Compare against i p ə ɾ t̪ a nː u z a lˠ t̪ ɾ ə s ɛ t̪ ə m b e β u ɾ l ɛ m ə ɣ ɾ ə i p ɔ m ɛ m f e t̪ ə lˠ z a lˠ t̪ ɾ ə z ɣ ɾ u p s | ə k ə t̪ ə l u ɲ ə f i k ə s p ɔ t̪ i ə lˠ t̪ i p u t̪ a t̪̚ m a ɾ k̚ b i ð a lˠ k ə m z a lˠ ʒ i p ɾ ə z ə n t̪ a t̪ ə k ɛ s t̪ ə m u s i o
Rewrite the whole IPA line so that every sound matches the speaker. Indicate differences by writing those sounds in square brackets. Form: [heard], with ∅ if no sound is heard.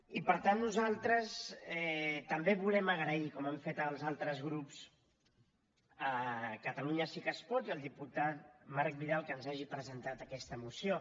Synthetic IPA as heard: i p ə ɾ t̪ a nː u z a lˠ t̪ ɾ ə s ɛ t̪ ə m b e β u [∅] l ɛ m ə ɣ ɾ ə i [k] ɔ m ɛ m f e t̪ ə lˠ z a lˠ t̪ ɾ ə z ɣ ɾ u p s | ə k ə t̪ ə l u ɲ ə [s] i k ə s p ɔ t̪ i ə lˠ [d̪] i p u t̪ a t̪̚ m a ɾ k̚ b i ð a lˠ k ə [n] z a [∅] ʒ i p ɾ ə z ə n t̪ a t̪ ə k ɛ s t̪ ə m u s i o

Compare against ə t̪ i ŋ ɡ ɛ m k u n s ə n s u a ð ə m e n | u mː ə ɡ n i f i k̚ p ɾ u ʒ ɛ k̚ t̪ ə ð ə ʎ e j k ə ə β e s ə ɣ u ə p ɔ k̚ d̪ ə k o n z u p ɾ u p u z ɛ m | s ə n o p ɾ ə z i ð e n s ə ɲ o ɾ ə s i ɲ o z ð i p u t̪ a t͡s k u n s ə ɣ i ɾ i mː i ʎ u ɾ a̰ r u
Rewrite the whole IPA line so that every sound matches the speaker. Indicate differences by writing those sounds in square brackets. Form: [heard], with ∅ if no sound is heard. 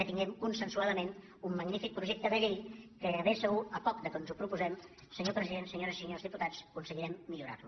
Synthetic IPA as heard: ə t̪ i ŋ ɡ ɛ m k u n s ə n s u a ð ə m e n | u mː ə ɡ n i f i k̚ p ɾ u ʒ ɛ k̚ t̪ ə ð ə ʎ e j k ə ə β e s ə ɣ u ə p ɔ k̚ d̪ ə k o n z u p ɾ u p u z ɛ m | s ə [ɲ] o p ɾ ə z i ð e n s ə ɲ o ɾ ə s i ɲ o z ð i p u t̪ a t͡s k u n s ə ɣ i ɾ [ɛ] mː i ʎ u ɾ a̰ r u

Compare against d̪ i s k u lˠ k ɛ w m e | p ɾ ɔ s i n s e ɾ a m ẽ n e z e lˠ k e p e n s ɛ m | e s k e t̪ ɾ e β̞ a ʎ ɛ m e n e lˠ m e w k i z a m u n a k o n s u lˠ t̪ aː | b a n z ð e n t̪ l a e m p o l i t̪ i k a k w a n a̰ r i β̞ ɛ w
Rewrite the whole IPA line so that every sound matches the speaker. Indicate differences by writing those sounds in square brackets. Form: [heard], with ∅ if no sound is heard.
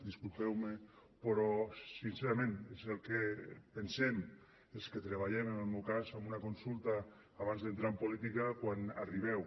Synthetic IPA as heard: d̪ i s k u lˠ [p] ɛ w m e | p ɾ ɔ s i n s e ɾ a m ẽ n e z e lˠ k e p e n s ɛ m | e s k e t̪ ɾ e β̞ a ʎ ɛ m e n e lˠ m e w k [a] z a m u n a k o n s u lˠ t̪ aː | [β] a n z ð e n t̪ [ɾ] a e m p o l i t̪ i k a k w a n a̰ r i β̞ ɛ w

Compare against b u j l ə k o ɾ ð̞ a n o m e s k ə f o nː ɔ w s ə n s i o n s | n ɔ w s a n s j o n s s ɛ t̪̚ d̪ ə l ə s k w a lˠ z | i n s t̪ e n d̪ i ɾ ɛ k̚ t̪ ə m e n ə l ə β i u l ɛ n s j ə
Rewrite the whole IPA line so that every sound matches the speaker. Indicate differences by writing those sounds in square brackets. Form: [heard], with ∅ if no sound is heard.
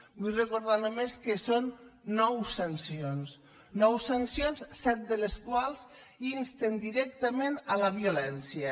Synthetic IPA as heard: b u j [r] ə k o ɾ ð̞ a n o m e s k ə [s] o nː ɔ w s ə n s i o n s | n ɔ w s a n s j o n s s ɛ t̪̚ d̪ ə l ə s k w a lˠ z | i n s t̪ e n d̪ i ɾ ɛ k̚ t̪ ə m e n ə l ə β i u l ɛ n s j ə

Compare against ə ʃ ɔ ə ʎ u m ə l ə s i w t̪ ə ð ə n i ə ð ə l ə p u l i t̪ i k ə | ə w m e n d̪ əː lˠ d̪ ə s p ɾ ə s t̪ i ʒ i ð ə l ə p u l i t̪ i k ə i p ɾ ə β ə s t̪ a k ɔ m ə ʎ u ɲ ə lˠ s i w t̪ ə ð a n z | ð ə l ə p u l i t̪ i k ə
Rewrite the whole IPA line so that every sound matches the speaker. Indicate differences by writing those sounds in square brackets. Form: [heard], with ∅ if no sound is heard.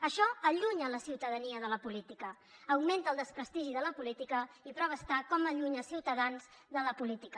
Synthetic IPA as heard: ə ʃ ɔ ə ʎ u [ɲ] ə l ə s i w t̪ ə ð ə n i ə ð ə l ə p u l i t̪ i k ə | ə w m e n [t̪] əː lˠ d̪ ə s p ɾ ə s t̪ i ʒ i ð ə l ə p u l i t̪ i k ə i p ɾ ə β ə s t̪ a k ɔ m ə ʎ u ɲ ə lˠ s i w t̪ ə ð a n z | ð ə l ə p u l i t̪ i k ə

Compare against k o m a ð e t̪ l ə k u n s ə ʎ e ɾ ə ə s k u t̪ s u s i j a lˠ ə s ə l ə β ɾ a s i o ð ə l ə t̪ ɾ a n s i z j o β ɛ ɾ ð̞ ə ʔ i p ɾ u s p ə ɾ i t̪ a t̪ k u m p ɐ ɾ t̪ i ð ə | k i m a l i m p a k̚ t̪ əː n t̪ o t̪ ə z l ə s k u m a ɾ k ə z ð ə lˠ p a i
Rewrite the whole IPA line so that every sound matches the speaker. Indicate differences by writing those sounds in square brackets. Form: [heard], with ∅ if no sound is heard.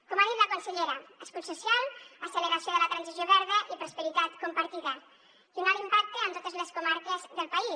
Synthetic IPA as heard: k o m a ð [i] t̪ l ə k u n s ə ʎ e ɾ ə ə s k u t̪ s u s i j a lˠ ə s ə l ə β ɾ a s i o ð ə l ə t̪ ɾ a n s i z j o β ɛ ɾ ð̞ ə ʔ i p ɾ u s p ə ɾ i t̪ a t̪ k u m p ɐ ɾ t̪ i ð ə | k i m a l i m p a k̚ t̪ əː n t̪ o t̪ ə z l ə s k u m a ɾ k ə z ð ə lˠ p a i

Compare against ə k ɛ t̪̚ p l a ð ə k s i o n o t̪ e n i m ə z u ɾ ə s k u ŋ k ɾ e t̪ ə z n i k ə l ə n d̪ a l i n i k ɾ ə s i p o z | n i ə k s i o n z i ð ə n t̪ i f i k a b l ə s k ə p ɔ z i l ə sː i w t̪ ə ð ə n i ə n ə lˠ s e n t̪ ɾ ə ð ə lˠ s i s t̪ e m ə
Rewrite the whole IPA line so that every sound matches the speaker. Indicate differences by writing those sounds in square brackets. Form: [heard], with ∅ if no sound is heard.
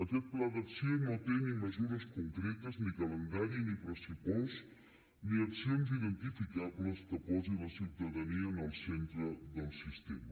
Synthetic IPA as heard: ə k ɛ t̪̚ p l a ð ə k s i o n o t̪ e n i m ə z u ɾ ə s k u ŋ k ɾ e t̪ ə z n i k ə l ə n d̪ a [ɾ] i n i [p] ɾ ə s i p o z | n i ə k s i o n z i ð ə n t̪ i f i k a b l ə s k ə p ɔ z i l ə [s] i w t̪ ə ð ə n i ə n ə lˠ s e n t̪ ɾ ə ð ə lˠ s i s t̪ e m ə

